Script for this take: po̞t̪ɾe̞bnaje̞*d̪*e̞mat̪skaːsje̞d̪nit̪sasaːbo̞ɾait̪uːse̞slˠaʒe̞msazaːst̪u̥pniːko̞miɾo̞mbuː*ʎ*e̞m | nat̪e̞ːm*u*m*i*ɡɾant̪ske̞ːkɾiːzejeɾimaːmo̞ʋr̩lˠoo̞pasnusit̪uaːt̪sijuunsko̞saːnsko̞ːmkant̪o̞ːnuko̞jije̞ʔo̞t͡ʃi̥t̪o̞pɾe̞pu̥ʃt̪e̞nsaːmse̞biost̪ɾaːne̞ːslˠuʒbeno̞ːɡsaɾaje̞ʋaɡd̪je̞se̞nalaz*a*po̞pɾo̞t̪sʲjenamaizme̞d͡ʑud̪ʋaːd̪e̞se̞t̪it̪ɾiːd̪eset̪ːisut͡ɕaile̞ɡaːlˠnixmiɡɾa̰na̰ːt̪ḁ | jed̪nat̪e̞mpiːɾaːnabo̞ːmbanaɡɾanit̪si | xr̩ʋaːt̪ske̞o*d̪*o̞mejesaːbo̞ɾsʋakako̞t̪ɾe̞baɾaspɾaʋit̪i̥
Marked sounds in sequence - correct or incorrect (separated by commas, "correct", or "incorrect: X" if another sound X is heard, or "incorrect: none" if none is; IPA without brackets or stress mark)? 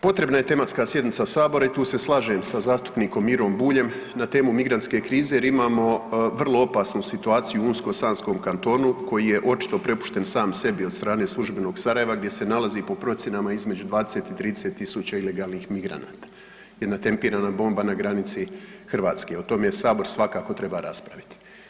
incorrect: t̪, correct, correct, correct, incorrect: i, incorrect: t̪